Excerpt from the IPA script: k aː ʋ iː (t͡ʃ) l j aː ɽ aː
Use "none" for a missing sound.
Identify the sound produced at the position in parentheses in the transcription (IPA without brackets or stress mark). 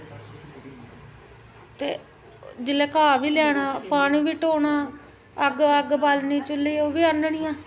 none